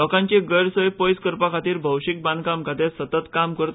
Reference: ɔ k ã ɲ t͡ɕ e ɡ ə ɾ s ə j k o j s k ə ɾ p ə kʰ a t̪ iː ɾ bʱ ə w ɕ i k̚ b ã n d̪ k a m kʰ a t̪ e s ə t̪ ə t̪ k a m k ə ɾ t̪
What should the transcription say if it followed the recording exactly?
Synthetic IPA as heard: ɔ k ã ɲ t͡ɕ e ɡ ə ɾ s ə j p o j s k ə ɾ p a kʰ a t̪ iː ɾ bʱ ə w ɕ i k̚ b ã n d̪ k a m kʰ a t̪ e s ə t̪ ə t̪ k a m k ə ɾ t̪